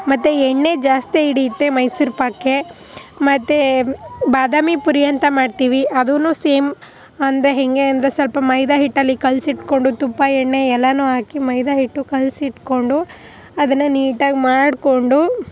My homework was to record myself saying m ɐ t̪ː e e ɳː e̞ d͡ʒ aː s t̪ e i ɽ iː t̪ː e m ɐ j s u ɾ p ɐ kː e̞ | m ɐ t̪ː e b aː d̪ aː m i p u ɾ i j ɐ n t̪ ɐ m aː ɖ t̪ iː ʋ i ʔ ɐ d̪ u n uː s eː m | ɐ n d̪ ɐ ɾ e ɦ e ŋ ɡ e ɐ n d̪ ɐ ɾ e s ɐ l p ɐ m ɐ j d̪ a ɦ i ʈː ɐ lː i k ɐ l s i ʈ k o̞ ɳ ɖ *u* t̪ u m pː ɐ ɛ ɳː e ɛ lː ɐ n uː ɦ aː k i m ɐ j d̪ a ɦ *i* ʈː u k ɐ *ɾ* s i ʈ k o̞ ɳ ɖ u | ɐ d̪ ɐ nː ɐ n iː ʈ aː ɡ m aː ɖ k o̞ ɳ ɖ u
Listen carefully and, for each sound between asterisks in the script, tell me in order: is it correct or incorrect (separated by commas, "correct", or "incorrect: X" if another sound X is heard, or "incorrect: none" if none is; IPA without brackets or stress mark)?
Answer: correct, correct, incorrect: l